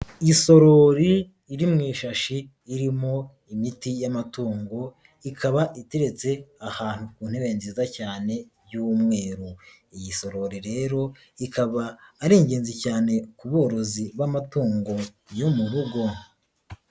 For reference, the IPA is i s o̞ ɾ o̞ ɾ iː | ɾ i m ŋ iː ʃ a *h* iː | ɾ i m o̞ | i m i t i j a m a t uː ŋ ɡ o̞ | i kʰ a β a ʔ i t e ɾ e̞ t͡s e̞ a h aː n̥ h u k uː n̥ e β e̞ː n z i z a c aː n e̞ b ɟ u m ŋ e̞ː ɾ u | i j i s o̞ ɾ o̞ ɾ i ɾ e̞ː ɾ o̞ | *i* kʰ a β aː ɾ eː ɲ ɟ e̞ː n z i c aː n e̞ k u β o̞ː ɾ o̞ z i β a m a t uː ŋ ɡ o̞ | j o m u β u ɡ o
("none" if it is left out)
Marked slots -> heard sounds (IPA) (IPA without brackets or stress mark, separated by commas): ʃ, i